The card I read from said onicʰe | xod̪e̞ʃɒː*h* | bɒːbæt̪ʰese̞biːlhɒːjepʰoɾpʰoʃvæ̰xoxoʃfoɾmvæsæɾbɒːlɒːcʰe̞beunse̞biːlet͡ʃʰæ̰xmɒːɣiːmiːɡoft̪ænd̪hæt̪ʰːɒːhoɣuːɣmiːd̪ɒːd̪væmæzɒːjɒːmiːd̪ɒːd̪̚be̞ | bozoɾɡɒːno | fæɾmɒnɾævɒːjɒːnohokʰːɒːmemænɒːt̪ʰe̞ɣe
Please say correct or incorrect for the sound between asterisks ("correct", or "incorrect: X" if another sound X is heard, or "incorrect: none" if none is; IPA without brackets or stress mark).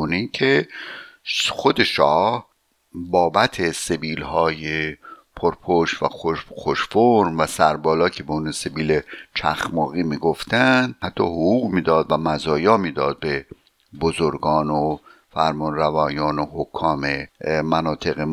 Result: correct